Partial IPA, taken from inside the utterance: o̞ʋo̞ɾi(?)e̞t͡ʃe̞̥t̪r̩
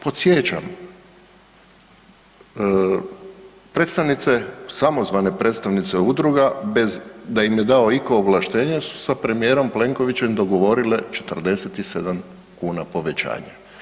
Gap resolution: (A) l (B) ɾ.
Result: A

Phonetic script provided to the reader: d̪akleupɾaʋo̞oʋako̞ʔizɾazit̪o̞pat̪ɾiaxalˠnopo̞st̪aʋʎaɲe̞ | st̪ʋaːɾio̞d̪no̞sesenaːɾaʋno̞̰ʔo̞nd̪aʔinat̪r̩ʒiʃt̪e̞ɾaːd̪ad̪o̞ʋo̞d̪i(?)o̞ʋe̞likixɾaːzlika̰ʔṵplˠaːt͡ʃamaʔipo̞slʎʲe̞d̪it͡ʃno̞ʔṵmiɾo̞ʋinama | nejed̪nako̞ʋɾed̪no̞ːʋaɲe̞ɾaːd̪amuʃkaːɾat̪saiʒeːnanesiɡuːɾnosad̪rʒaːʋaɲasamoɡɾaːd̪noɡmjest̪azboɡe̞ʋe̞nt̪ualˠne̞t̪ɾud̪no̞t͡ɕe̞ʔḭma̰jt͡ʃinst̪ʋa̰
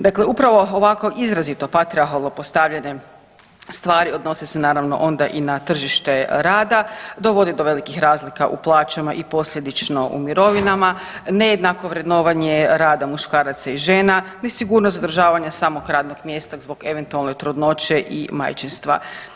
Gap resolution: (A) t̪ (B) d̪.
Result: B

